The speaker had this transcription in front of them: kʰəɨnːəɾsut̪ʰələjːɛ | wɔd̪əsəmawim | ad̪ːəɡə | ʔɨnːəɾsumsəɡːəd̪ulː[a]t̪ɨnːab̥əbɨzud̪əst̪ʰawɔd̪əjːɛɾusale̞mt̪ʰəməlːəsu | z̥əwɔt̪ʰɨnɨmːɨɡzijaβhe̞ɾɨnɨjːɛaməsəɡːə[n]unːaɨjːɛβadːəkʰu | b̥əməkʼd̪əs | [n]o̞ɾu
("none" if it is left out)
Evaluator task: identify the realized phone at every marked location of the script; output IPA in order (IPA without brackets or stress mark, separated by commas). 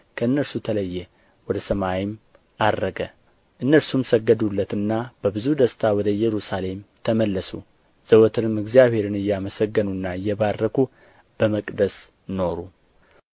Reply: ə, n, n